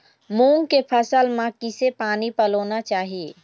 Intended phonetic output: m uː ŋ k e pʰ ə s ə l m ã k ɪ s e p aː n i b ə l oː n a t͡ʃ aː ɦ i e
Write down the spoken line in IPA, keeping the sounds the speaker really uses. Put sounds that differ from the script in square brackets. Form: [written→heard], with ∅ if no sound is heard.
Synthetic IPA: m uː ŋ k e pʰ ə s ə l m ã k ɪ s e p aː n i [b→p] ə l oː n a t͡ʃ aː ɦ i e